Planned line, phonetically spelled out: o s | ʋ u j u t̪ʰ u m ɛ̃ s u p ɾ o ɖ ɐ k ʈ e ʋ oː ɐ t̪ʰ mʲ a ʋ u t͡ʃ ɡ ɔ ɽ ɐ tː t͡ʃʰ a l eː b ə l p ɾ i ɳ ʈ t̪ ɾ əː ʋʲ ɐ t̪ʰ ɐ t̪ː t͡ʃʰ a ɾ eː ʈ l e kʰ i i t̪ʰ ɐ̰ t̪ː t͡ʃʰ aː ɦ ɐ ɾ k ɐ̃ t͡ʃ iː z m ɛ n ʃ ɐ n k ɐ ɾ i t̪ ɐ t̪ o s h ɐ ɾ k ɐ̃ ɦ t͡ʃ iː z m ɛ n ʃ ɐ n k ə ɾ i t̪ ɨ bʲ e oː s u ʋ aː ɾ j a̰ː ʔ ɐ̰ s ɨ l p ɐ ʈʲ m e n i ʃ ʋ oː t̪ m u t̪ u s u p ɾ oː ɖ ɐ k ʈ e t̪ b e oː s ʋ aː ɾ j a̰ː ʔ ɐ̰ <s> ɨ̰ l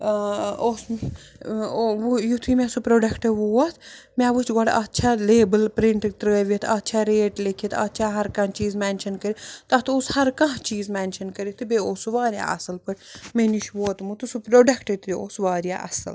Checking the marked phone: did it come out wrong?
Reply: no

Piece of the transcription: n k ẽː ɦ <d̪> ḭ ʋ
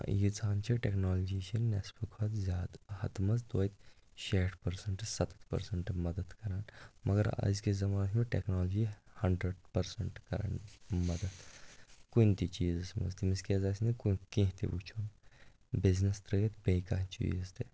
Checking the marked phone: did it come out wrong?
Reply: yes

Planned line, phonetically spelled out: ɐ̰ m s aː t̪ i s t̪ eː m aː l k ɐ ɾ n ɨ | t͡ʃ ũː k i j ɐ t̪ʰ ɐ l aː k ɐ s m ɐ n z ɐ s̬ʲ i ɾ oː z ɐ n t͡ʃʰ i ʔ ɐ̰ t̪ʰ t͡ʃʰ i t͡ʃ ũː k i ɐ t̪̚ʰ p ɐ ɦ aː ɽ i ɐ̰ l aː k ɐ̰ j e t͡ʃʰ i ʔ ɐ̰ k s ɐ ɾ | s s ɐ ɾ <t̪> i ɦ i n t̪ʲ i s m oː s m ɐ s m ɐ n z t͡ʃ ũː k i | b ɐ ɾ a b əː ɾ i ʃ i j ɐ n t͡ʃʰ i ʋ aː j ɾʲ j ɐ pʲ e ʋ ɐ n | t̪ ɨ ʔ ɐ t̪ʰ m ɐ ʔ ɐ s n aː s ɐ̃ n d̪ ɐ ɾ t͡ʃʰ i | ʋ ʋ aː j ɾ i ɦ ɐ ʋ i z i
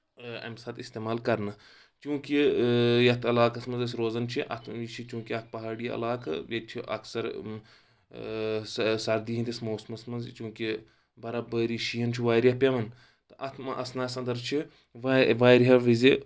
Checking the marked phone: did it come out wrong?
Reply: yes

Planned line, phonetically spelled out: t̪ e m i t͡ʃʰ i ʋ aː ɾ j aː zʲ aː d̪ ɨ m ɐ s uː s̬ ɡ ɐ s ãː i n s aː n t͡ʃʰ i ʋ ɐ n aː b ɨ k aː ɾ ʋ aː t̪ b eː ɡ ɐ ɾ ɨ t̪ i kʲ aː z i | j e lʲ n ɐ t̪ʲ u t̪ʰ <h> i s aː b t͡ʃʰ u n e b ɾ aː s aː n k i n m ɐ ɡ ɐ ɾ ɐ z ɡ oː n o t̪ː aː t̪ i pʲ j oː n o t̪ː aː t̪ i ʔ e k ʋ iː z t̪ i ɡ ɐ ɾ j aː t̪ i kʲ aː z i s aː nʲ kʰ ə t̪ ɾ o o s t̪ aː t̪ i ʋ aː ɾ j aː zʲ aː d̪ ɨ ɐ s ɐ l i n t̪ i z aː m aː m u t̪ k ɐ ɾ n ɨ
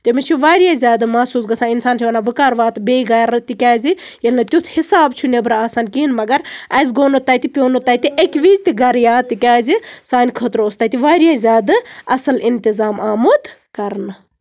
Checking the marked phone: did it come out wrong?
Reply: no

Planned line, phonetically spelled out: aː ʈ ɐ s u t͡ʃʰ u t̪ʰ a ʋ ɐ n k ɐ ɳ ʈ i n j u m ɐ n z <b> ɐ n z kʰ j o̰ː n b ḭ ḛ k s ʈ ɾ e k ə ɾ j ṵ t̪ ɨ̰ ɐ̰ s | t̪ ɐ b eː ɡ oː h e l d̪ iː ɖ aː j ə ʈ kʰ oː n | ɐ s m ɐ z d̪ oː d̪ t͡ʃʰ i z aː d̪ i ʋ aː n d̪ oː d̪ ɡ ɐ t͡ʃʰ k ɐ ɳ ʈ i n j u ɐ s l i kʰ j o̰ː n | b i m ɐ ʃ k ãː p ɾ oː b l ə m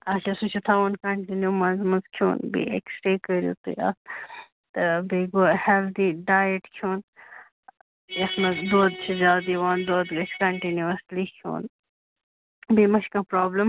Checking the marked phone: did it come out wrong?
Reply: yes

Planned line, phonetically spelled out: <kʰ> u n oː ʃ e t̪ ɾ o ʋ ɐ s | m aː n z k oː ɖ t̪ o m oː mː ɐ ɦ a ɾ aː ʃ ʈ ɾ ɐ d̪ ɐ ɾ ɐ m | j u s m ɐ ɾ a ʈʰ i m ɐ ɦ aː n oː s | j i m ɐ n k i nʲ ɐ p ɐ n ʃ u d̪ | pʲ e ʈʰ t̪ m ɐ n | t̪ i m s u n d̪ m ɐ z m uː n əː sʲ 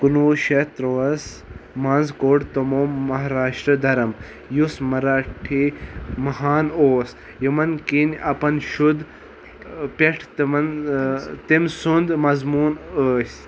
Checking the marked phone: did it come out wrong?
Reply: yes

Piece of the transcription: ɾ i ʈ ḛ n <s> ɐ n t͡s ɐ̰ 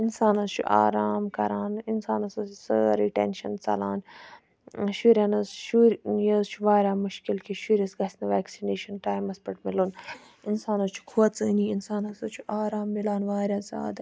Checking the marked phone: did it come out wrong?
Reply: yes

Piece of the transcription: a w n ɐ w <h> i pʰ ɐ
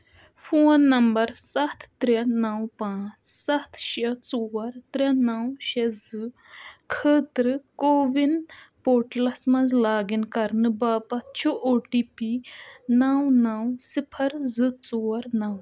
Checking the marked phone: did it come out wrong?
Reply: yes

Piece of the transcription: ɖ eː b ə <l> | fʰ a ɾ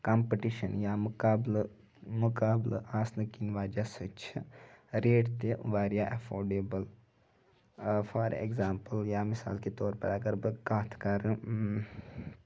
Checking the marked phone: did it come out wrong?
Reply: no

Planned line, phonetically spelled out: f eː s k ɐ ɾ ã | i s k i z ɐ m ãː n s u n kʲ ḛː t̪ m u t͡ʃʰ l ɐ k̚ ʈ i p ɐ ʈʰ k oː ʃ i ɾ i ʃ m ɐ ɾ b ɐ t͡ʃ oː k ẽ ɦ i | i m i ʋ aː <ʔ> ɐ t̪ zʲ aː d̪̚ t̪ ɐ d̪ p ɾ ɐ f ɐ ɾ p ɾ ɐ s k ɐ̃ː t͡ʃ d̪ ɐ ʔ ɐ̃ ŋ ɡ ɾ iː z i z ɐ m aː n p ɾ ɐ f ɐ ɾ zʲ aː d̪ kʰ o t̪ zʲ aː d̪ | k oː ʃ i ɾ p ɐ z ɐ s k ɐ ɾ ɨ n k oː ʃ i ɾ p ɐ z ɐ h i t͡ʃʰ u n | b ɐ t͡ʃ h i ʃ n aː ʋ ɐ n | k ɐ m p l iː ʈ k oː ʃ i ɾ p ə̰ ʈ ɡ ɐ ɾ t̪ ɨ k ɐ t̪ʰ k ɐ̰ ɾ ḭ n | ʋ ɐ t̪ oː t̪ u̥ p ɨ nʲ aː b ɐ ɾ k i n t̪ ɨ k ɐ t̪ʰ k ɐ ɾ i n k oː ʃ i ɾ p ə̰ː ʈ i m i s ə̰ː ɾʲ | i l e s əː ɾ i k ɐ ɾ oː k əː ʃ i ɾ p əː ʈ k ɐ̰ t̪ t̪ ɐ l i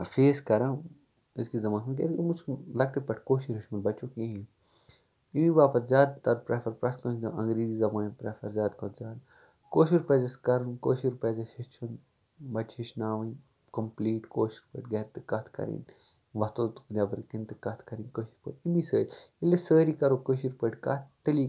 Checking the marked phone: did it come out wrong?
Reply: yes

